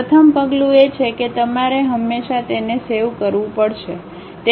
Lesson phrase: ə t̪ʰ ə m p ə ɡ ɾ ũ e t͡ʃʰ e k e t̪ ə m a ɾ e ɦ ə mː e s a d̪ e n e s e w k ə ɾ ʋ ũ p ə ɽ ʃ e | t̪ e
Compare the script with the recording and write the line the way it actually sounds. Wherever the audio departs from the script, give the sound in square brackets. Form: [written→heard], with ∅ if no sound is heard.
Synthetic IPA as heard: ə t̪ʰ ə m p ə ɡ [ɾ→l] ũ e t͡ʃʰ e k e t̪ ə m a ɾ e ɦ ə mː e [s→ʃ] a [d̪→t̪] e n e s e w k ə ɾ ʋ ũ p ə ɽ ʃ e | t̪ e